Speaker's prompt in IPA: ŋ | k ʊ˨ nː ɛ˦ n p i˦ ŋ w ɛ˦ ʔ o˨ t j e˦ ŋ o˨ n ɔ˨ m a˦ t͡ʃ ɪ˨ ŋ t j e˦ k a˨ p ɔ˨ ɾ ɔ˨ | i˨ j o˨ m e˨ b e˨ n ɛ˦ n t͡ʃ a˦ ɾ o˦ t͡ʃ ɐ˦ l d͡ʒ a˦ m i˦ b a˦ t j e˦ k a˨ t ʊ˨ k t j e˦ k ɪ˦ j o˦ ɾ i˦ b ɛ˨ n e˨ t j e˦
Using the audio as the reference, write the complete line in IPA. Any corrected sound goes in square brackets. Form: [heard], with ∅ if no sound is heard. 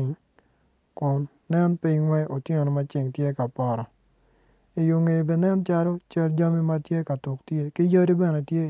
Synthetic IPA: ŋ | k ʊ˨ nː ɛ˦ n p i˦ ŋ w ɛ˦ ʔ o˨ t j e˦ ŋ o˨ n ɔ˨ m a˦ t͡ʃ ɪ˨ ŋ t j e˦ k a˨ p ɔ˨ ɾ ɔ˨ | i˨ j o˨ [ŋ] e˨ b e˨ n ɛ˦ n t͡ʃ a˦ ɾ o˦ t͡ʃ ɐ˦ l d͡ʒ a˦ m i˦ [m] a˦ t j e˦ k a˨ t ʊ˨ k t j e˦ k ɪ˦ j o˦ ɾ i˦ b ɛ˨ n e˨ t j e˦